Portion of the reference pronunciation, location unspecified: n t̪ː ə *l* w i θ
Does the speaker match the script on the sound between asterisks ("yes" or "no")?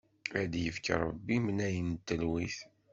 yes